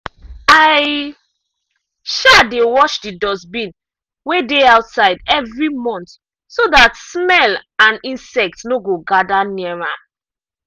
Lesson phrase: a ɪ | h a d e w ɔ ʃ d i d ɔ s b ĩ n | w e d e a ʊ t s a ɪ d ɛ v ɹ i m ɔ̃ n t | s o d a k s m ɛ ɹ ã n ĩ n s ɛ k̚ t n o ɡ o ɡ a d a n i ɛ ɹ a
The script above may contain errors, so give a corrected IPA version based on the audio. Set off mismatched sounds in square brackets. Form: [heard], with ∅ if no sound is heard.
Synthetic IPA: a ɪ | [ʃ] a d e w ɔ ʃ d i d ɔ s b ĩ n | w e d e a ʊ t s a ɪ d ɛ v ɹ i m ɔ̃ n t | s o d a [t] s m ɛ [l] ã n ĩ n s ɛ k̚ t n o ɡ o ɡ a d a n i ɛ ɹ a